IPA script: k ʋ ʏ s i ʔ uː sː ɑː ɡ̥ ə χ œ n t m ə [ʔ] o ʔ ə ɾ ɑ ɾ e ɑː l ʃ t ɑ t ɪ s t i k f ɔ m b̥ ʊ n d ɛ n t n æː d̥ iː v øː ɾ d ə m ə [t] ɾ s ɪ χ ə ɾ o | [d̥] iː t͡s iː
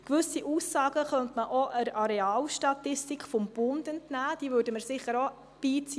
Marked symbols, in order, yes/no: yes, no, no

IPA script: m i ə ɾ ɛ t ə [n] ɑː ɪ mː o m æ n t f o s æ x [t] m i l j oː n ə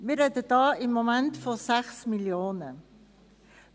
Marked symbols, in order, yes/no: no, no

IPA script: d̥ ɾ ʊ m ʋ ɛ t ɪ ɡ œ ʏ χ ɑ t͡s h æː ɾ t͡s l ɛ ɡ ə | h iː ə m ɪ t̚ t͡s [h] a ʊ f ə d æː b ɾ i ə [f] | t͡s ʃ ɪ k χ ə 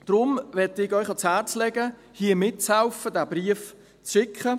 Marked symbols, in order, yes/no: yes, yes

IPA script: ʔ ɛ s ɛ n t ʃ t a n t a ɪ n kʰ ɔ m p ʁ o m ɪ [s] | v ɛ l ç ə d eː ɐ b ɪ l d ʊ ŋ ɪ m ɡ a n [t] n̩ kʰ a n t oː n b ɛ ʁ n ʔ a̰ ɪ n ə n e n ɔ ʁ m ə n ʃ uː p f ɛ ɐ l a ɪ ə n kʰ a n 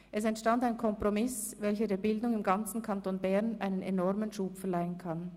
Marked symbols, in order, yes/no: yes, no

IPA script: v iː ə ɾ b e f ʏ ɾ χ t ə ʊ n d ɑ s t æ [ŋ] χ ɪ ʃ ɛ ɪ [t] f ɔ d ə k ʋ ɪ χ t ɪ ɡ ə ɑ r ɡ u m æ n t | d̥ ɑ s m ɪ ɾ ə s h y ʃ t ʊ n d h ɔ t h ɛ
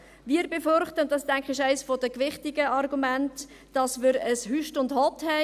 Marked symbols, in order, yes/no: yes, no

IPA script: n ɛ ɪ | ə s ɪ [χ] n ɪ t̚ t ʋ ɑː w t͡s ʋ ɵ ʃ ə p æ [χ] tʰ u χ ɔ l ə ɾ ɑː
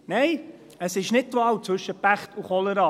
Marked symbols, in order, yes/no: no, yes

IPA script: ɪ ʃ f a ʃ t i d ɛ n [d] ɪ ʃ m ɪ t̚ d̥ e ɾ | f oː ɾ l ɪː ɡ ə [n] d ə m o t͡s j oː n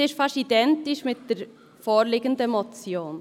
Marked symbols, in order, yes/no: no, yes

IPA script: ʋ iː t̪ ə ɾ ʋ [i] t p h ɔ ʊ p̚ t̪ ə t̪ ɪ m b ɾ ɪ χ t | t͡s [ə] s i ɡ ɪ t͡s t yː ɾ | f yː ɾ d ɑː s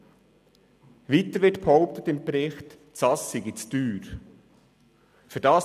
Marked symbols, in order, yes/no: no, no

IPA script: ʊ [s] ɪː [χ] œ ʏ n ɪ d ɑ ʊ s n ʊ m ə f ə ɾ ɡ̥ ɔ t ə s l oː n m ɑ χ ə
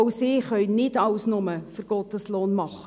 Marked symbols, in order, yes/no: yes, yes

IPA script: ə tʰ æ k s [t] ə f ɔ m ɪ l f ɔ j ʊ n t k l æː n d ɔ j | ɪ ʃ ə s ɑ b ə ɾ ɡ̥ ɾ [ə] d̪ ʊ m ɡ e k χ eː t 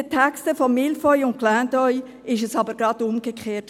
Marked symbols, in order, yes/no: yes, no

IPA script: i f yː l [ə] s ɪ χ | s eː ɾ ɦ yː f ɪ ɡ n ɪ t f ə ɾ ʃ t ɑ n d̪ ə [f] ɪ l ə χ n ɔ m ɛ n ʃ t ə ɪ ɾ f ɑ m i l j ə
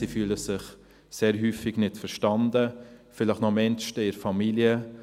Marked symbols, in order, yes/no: yes, yes

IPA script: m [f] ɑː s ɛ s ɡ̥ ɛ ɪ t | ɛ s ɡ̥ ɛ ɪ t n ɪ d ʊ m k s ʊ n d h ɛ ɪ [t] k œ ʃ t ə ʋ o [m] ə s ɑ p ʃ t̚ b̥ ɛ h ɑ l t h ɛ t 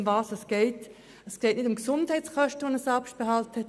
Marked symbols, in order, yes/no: no, no, no

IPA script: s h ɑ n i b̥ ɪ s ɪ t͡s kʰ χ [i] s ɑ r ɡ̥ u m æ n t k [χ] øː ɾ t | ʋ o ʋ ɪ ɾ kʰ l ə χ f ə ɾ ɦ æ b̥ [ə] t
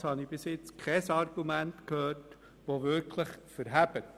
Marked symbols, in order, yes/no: no, no, yes

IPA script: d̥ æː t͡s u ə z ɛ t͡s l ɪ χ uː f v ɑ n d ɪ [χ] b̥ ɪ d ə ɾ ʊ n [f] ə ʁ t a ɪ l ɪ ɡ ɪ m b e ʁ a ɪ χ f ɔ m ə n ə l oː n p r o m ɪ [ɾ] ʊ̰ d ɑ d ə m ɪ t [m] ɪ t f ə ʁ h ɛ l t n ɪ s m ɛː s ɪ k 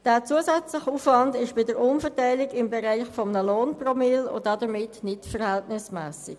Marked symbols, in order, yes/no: no, yes, no, no

